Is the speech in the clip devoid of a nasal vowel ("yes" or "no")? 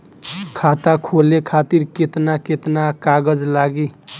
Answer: yes